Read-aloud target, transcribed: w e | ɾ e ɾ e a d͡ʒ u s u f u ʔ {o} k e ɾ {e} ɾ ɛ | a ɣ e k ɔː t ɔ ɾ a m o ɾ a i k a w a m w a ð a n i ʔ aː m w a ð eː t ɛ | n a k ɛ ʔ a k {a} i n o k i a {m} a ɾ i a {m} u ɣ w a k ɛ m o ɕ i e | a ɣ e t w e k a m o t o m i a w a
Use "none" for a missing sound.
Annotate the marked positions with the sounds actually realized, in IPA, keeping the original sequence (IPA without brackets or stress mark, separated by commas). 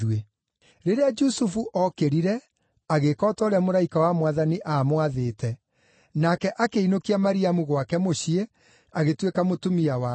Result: ɔ, i, e, m, m